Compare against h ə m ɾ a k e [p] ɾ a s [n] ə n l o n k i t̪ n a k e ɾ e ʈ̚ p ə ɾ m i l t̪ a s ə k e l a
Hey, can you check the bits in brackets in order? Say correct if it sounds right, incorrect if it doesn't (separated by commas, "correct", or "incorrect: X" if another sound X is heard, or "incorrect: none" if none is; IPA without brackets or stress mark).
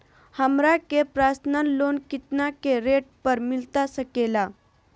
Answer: correct, correct